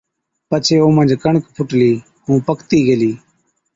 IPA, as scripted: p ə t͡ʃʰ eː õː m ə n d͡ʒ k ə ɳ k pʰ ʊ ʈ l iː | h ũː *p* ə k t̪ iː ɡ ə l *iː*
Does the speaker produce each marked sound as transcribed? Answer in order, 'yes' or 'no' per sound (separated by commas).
yes, yes